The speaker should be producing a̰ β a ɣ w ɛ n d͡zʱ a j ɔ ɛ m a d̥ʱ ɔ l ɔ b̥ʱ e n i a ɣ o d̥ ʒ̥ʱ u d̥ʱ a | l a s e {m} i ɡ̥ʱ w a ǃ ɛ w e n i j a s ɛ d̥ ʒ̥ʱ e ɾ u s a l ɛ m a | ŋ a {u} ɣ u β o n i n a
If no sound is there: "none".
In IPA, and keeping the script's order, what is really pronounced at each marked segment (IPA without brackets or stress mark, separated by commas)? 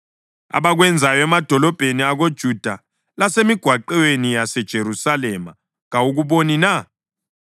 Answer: m, u